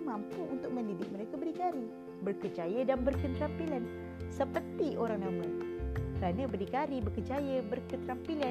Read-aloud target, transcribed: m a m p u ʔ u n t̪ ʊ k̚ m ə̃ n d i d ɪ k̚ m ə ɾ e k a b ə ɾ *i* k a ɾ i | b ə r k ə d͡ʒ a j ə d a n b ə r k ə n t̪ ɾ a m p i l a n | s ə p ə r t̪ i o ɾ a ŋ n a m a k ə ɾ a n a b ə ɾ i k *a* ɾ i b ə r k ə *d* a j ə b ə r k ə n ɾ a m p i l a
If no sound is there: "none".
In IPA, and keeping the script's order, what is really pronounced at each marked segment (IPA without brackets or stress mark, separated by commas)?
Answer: i, a, d͡ʒ